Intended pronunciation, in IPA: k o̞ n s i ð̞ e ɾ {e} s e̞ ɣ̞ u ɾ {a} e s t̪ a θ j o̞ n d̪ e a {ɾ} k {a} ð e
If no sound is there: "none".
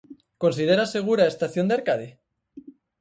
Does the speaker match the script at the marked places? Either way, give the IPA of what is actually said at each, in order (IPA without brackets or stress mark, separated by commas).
a, a, ɾ, a